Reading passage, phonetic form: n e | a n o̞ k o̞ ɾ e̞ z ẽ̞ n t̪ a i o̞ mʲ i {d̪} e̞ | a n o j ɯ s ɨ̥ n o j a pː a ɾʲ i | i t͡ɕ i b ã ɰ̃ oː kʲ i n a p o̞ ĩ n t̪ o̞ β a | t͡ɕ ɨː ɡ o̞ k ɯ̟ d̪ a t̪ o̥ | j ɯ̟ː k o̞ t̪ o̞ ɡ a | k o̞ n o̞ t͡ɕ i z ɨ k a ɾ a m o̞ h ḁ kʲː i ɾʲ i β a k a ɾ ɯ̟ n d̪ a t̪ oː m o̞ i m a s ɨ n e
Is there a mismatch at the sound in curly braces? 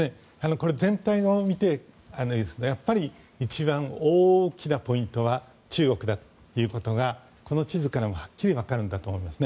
yes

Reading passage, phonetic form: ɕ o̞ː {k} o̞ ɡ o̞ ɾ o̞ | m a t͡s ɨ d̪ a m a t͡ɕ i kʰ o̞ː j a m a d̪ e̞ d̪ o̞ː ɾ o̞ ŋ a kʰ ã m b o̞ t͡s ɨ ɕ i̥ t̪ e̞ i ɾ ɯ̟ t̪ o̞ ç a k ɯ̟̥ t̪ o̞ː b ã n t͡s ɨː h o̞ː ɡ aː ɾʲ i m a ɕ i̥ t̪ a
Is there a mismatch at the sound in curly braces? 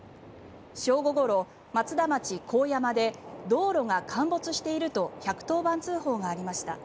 yes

